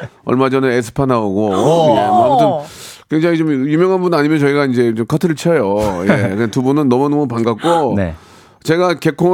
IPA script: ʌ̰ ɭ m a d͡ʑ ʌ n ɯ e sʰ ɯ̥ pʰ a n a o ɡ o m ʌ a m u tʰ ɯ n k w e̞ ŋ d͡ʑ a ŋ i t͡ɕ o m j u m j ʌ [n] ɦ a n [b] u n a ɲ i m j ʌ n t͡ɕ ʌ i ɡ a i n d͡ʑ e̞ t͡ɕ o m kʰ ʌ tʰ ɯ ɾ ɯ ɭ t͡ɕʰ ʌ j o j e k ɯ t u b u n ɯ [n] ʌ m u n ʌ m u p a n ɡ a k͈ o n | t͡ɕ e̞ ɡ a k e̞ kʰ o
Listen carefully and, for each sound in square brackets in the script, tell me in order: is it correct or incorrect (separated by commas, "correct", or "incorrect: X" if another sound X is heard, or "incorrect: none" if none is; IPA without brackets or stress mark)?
incorrect: ŋ, correct, incorrect: nː